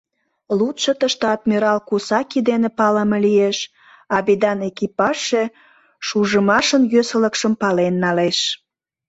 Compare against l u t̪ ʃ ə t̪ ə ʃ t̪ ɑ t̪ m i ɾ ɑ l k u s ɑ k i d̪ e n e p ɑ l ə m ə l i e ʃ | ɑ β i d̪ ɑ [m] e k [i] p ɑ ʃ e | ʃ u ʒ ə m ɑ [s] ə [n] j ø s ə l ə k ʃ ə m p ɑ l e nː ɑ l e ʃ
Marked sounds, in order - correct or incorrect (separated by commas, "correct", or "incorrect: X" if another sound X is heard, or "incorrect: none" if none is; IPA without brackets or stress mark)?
incorrect: n, correct, incorrect: ʃ, correct